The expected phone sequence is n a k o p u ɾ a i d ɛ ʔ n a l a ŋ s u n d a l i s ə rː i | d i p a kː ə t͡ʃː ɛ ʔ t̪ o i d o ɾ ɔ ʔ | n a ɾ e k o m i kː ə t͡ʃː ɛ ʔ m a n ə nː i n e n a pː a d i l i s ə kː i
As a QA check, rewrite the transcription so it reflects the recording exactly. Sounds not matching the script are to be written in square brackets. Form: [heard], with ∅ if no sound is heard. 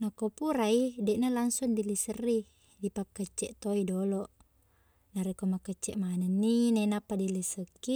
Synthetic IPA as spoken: n a k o p u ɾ a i d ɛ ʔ n a l a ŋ s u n d [i] l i s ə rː i | d i p a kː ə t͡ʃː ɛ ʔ t̪ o i d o [l] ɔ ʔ | n a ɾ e k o m [a] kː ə t͡ʃː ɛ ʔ m a n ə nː i n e n a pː a d i l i s ə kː i